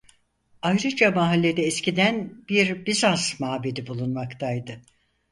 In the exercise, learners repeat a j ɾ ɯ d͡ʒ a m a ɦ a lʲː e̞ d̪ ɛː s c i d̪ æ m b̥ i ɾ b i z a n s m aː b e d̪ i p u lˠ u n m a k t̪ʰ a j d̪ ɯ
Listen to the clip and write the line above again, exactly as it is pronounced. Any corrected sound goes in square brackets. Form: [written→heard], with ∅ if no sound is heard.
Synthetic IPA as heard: a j ɾ ɯ d͡ʒ a m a ɦ a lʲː e̞ d̪ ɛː s c i d̪ æ [m→n] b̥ i ɾ b i z a n s m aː b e d̪ i [p→b] u lˠ u n m a k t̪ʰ a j d̪ ɯ